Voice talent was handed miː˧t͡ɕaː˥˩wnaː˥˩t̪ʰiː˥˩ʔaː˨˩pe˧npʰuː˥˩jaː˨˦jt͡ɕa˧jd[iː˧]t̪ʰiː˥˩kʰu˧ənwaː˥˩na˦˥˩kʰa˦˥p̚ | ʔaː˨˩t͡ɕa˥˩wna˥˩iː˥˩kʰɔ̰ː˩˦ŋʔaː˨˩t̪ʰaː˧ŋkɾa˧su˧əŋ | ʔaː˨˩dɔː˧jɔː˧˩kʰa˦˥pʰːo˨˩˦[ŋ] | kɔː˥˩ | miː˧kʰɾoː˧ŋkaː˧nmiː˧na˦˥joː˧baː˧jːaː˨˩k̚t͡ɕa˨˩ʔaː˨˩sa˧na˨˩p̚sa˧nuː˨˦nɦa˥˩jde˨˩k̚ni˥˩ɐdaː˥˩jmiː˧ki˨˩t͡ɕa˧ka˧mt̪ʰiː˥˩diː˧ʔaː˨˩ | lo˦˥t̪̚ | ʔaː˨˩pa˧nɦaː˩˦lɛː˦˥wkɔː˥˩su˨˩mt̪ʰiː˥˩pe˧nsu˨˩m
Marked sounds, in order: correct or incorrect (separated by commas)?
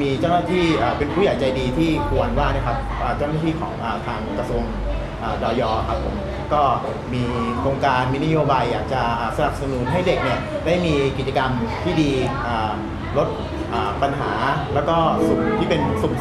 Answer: correct, incorrect